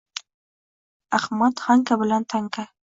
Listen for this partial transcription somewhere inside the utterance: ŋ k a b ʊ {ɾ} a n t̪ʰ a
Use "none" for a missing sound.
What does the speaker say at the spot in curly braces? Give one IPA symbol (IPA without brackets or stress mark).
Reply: l